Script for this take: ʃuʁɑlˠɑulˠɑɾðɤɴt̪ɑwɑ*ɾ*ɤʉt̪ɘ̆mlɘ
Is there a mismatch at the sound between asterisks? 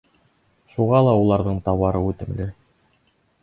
no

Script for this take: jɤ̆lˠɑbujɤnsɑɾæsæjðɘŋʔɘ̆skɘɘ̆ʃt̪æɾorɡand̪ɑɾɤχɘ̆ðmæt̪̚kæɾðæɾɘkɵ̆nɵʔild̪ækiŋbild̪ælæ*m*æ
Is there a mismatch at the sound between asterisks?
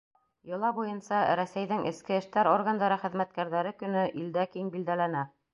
yes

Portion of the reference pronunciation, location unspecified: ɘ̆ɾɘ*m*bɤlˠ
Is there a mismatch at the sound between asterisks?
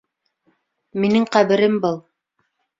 no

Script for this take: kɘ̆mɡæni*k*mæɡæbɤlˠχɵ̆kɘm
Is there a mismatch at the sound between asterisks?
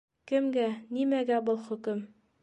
yes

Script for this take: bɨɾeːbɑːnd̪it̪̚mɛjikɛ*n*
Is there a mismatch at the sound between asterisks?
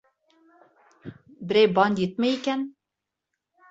no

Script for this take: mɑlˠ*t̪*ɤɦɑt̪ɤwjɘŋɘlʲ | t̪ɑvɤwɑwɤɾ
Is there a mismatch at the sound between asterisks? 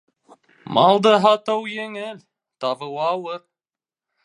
yes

